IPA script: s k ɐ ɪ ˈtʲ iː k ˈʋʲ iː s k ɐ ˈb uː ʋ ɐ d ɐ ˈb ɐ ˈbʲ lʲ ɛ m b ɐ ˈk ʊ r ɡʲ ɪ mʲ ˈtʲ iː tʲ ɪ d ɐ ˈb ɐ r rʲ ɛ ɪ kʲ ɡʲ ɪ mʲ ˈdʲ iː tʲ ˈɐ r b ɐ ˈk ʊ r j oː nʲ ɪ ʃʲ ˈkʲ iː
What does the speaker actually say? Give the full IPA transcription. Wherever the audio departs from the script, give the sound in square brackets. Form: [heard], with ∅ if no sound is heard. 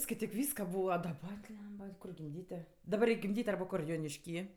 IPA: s k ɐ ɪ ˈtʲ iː k ˈʋʲ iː s k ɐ ˈb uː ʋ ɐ d ɐ ˈb ɐ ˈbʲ lʲ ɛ m b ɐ ˈk ʊ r ɡʲ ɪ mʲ [ˈdʲ] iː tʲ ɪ d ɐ ˈb ɐ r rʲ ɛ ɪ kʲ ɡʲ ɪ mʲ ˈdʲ iː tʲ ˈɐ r b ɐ ˈk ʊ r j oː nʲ ɪ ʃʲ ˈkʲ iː